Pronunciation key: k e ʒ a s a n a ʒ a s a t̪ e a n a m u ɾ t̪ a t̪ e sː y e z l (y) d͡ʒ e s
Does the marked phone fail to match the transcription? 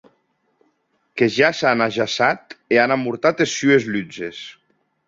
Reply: no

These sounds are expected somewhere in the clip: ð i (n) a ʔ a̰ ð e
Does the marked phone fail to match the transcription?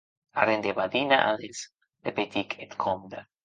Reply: no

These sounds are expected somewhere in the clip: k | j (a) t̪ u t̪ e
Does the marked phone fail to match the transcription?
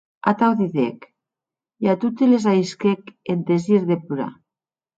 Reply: no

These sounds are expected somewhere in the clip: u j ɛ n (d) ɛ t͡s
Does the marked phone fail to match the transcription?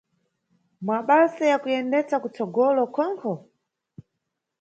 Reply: no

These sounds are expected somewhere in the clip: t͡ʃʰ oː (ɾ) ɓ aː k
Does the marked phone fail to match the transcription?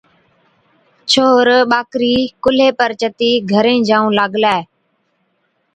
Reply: no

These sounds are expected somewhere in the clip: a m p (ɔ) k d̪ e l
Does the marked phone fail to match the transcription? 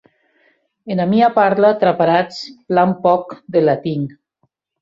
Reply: no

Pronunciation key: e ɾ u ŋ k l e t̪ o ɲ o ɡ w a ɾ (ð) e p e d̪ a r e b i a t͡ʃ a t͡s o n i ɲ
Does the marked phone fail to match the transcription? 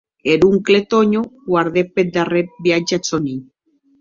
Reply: no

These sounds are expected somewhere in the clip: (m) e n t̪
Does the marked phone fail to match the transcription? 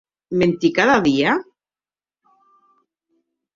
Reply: no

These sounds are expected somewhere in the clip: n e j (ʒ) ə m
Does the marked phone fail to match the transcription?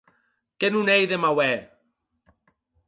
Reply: yes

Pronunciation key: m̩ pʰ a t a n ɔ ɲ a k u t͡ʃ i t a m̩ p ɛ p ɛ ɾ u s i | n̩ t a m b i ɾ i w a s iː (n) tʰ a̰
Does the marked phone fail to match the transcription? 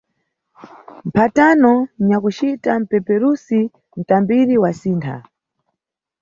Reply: no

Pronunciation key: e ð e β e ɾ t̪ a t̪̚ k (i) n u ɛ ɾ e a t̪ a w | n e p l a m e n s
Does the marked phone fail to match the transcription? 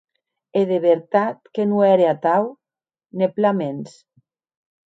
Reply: yes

